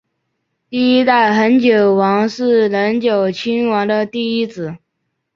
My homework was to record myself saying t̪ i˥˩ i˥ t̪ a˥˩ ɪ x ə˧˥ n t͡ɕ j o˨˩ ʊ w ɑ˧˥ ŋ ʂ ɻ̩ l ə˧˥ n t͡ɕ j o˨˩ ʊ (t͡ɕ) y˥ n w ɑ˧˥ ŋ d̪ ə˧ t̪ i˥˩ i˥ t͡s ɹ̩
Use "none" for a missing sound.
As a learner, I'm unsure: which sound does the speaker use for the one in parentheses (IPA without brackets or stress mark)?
t͡ɕʰ